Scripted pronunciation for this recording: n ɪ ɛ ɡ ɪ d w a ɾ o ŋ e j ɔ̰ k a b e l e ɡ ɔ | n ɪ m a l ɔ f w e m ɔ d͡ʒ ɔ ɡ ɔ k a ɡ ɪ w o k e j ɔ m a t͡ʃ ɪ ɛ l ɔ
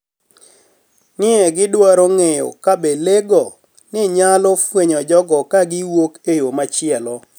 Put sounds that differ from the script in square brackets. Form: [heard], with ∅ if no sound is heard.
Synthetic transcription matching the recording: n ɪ ɛ ɡ ɪ d w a ɾ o ŋ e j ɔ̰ k a b e l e ɡ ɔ | n ɪ [ɲ] a l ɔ f w e [ɲ] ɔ d͡ʒ ɔ ɡ ɔ k a ɡ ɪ w o k e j [o] m a t͡ʃ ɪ ɛ l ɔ